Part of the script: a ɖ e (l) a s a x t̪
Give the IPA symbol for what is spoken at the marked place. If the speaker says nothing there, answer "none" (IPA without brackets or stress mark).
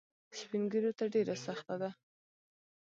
ɾ